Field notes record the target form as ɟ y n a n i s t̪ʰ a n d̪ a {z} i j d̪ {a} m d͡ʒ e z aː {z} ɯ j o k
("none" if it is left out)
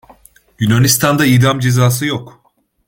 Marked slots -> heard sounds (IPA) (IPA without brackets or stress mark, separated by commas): none, a, s